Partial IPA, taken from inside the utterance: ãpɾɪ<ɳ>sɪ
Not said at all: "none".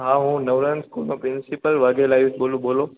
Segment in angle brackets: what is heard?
n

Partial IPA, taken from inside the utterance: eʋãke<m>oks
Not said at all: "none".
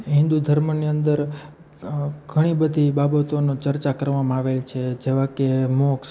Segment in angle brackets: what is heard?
m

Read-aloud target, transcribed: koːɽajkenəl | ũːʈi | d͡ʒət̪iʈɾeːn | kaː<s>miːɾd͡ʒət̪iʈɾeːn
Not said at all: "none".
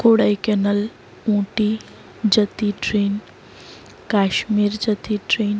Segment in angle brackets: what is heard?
ʃ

